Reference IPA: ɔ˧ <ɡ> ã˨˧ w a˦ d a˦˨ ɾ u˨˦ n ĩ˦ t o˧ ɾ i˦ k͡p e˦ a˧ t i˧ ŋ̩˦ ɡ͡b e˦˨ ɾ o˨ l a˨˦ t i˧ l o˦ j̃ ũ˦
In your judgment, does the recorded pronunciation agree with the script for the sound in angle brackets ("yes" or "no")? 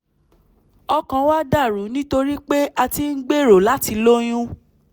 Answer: no